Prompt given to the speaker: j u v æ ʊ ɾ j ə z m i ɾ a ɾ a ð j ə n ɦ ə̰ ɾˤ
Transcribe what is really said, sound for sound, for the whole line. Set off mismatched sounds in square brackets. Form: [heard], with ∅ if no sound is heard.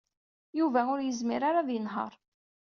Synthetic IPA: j u v æ ʊ ɾ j ə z m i ɾ a ɾ a ð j ə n ɦ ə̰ ɾˤ